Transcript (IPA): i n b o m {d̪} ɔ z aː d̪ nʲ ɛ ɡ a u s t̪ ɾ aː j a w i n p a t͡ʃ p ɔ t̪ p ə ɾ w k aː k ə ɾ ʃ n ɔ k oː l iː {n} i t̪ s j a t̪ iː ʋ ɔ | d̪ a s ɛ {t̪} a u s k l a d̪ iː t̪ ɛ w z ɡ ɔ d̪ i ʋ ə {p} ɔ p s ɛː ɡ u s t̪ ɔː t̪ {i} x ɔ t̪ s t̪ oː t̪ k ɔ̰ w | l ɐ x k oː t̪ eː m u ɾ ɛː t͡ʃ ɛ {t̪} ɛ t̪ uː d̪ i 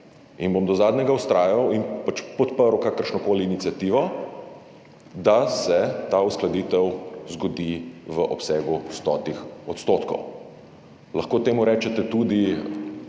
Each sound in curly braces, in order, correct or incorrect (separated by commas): correct, correct, correct, incorrect, correct, correct